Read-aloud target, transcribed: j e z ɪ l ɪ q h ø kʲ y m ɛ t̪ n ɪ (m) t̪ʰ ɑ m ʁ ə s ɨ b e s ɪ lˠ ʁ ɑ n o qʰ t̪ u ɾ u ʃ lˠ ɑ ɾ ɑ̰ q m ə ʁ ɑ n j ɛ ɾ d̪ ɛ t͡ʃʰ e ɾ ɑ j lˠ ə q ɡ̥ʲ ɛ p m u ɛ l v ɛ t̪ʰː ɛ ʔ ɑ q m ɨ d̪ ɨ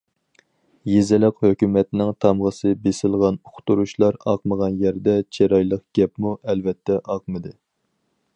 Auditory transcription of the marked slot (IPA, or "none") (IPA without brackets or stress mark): ŋ